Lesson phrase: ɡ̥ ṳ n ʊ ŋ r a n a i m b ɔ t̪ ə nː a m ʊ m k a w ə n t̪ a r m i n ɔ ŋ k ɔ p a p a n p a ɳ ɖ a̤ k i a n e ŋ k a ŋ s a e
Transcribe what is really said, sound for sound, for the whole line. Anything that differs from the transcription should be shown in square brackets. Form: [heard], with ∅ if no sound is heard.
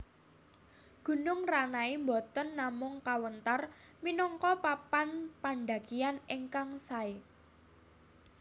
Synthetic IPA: ɡ̥ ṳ n ʊ ŋ r a n a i m b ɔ t̪ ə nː a m ʊ [ŋ] k a w ə n t̪ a r m i n ɔ ŋ k ɔ p a p a n p a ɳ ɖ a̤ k i a n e ŋ k a ŋ s a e